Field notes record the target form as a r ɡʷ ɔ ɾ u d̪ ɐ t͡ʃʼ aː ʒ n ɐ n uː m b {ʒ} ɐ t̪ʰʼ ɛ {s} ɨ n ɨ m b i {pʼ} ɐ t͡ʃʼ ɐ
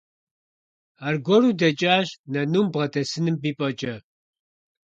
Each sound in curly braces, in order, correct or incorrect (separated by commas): incorrect, correct, correct